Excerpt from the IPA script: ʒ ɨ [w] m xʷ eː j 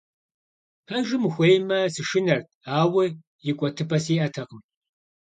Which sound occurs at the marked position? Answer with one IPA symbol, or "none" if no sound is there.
none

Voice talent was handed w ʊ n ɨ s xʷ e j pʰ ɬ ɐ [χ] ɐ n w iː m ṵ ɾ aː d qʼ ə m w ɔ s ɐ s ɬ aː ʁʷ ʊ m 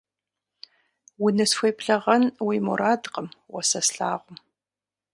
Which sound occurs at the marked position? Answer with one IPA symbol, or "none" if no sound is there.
ʁ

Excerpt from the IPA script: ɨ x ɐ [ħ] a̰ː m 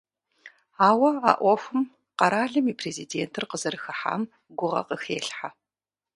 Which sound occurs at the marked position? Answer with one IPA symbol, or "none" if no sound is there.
ħ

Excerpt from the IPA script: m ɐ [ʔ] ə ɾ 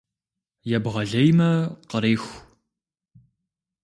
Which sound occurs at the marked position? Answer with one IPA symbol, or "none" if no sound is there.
q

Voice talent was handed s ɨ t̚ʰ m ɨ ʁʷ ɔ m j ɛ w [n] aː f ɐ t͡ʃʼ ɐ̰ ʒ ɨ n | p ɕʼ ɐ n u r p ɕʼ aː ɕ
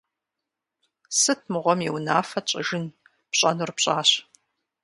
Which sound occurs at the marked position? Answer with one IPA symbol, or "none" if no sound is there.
n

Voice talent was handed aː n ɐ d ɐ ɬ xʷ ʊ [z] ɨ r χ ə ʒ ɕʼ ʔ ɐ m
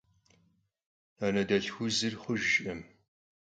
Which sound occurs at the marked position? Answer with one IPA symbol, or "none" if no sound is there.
z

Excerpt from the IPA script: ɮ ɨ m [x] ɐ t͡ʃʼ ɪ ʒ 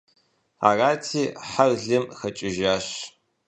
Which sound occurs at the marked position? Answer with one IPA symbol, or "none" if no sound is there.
x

